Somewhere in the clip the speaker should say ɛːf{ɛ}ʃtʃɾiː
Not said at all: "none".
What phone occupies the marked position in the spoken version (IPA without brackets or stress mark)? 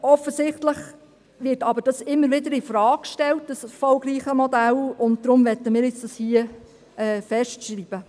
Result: ɛ